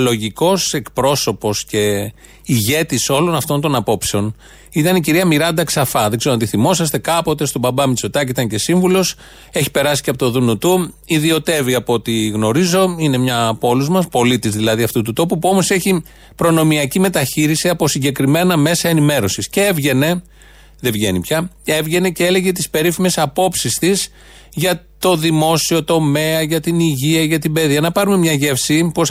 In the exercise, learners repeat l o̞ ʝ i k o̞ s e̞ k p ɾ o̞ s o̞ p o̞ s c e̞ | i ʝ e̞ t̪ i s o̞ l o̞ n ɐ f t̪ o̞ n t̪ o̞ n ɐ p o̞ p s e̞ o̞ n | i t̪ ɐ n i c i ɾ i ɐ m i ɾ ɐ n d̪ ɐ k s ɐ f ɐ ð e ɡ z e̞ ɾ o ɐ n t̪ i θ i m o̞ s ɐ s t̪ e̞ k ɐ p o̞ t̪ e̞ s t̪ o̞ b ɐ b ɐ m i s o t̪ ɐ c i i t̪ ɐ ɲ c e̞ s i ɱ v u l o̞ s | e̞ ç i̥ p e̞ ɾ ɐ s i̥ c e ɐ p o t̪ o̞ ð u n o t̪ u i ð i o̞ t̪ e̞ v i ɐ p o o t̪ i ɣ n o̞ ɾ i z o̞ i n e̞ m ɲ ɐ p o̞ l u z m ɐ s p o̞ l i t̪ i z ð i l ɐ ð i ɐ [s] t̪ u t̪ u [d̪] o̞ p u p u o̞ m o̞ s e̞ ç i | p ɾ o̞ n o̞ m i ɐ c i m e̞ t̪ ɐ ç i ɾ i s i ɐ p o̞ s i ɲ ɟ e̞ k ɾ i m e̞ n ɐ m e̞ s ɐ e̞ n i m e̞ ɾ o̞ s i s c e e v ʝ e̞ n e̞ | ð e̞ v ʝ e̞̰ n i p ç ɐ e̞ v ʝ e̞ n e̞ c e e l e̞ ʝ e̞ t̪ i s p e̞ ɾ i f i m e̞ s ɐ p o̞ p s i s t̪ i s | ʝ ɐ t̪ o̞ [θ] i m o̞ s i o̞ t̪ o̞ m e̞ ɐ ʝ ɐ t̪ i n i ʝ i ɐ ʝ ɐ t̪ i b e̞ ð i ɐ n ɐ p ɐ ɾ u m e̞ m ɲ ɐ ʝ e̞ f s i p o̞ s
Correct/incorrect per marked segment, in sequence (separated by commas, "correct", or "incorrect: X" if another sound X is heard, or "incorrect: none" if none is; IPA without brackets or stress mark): incorrect: f, incorrect: t̪, incorrect: ð